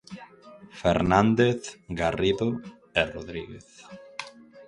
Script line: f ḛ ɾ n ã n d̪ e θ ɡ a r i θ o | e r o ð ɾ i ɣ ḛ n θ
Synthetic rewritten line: f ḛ ɾ n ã n d̪ e θ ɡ a r i ð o | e r o ð ɾ i ɣ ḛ θ